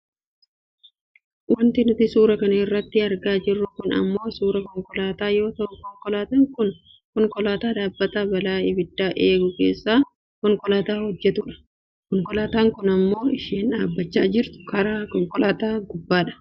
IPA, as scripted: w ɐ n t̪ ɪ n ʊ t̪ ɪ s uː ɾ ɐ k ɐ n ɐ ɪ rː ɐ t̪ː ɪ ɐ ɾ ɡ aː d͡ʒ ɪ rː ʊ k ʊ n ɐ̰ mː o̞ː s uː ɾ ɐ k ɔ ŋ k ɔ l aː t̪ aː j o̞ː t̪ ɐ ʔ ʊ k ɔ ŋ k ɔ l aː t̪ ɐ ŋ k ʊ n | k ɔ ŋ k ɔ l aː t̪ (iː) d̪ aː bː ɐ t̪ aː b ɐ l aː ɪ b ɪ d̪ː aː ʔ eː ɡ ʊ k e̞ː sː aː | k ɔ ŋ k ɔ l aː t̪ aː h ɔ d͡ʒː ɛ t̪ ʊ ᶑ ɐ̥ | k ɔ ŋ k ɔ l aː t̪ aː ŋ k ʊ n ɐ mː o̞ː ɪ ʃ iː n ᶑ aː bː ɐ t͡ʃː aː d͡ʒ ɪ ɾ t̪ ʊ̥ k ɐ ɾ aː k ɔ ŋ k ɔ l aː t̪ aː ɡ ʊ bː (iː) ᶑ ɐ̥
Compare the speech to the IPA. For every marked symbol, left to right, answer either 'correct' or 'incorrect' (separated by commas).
incorrect, incorrect